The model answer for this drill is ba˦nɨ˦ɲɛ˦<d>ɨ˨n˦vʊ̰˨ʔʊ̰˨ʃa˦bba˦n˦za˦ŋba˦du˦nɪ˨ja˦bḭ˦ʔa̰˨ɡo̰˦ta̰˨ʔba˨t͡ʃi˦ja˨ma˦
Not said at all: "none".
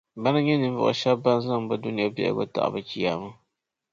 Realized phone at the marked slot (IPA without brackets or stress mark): n